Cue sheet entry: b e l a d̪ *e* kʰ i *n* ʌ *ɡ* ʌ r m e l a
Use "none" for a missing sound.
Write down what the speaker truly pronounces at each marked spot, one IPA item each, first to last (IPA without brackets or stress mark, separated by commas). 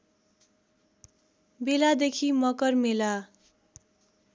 e, m, k